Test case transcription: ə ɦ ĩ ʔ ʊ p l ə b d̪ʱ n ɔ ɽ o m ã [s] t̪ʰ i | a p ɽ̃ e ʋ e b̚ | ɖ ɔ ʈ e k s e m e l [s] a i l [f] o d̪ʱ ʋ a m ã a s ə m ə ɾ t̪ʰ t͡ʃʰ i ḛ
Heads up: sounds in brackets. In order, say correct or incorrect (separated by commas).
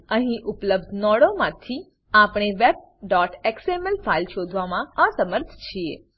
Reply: incorrect, incorrect, incorrect